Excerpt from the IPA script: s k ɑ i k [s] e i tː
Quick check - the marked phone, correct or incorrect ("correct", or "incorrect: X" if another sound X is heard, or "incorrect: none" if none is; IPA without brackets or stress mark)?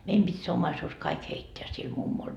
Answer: incorrect: h